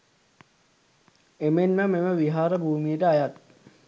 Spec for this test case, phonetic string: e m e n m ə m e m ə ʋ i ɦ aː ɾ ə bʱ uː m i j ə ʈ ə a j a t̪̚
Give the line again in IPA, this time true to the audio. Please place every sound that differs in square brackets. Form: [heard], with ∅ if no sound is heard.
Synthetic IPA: e m e n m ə m e m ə ʋ i ɦ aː ɾ ə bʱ uː m i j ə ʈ ə a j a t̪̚